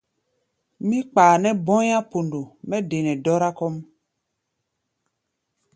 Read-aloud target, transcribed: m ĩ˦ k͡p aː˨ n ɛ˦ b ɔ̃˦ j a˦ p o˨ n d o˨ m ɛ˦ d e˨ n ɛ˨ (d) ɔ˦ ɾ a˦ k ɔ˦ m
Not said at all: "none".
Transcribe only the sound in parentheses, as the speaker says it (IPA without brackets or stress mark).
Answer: d